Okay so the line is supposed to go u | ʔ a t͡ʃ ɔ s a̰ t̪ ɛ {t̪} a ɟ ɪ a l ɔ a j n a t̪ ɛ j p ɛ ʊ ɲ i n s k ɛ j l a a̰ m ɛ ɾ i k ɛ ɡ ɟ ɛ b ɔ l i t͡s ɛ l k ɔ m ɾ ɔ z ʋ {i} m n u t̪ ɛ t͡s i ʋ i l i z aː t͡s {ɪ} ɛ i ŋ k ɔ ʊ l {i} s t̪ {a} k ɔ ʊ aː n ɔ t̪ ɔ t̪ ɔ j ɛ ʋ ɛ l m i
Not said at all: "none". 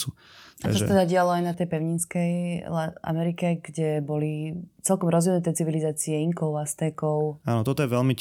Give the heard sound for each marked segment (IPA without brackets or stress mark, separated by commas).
d̪, i, i, a, ɛ